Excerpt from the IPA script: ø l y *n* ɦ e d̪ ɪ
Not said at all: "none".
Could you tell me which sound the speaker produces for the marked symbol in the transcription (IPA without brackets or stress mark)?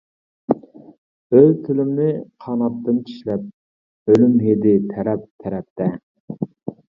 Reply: m